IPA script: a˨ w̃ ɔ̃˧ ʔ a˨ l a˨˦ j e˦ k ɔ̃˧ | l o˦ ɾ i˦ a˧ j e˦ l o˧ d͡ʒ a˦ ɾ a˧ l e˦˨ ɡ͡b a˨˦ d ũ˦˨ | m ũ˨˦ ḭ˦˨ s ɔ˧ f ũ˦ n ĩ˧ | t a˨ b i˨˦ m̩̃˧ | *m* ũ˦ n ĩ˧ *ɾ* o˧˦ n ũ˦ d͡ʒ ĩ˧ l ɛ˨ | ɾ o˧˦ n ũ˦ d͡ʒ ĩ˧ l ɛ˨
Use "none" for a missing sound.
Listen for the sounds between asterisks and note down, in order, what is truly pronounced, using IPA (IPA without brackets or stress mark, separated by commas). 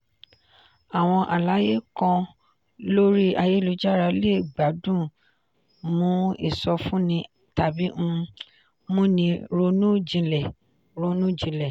m, ɾ